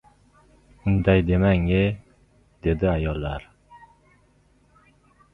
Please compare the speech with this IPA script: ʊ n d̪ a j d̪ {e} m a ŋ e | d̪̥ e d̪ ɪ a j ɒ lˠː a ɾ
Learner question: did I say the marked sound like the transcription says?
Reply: yes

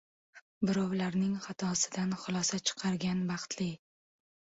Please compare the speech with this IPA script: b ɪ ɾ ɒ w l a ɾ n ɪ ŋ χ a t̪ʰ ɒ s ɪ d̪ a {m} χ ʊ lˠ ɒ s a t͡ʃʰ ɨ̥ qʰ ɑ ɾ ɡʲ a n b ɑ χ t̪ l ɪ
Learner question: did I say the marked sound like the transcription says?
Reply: no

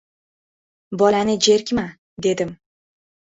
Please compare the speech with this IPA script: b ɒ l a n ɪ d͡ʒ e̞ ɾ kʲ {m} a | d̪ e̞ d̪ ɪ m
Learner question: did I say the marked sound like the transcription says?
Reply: yes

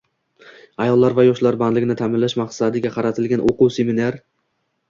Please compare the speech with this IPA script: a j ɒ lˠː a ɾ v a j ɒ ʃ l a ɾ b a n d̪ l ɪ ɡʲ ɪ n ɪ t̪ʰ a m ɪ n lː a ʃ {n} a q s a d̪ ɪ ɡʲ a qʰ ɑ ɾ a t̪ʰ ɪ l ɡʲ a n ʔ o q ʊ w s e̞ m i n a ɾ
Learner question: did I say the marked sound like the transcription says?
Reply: no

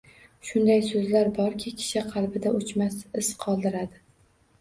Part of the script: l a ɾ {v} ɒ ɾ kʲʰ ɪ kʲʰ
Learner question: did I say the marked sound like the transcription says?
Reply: no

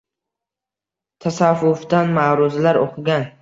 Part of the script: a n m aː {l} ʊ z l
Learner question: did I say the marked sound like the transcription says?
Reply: no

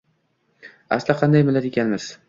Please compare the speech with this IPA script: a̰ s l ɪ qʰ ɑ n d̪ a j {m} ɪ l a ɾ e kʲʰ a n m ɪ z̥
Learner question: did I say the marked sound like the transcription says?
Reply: yes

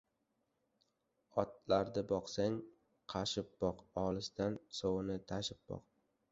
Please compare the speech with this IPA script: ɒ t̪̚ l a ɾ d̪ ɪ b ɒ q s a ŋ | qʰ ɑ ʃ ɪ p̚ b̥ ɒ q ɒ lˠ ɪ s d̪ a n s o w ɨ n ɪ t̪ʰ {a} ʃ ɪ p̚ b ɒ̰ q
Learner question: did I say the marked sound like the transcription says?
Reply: yes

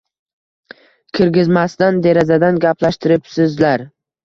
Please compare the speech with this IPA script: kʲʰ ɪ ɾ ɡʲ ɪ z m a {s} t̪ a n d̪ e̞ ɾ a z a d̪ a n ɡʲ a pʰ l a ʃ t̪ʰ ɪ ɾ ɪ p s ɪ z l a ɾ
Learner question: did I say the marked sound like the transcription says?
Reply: yes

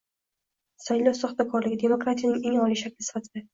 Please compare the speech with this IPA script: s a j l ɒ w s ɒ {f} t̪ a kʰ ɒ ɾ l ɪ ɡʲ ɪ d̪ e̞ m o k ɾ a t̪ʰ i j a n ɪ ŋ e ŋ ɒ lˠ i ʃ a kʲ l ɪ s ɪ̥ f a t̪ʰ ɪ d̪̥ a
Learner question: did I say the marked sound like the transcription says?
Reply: no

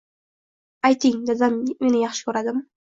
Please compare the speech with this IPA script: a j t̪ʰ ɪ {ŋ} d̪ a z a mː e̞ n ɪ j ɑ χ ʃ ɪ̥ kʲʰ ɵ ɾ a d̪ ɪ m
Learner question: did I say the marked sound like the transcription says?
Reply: yes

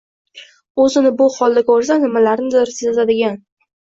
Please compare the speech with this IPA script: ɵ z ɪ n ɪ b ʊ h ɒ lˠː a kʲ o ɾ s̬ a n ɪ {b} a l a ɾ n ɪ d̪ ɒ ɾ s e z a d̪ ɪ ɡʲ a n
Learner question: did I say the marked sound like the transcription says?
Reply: no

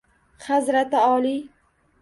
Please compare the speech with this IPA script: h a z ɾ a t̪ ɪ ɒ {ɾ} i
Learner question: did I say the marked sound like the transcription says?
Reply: no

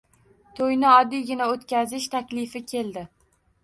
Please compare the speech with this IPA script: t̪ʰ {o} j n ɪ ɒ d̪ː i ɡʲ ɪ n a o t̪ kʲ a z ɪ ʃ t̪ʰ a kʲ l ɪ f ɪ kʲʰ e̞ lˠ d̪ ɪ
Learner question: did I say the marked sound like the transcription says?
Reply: yes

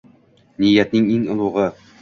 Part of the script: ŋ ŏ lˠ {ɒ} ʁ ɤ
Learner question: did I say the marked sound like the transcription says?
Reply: no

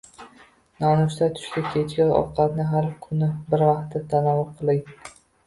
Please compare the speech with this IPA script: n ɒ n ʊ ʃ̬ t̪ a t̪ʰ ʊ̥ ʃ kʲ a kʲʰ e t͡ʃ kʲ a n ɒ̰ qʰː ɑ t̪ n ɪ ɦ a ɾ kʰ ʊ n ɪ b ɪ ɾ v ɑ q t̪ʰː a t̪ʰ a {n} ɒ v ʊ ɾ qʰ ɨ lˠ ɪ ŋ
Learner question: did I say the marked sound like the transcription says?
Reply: yes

